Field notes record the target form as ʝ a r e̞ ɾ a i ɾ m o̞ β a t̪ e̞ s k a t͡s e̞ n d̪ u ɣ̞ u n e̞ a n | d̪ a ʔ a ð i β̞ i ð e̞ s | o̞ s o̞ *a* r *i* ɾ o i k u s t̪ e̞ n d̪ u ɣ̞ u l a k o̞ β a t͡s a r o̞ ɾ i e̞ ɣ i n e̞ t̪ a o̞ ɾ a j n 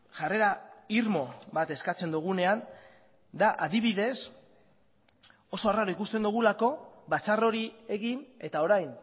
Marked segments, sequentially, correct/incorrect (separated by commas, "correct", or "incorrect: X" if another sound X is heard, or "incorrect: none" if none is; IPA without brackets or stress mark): correct, incorrect: a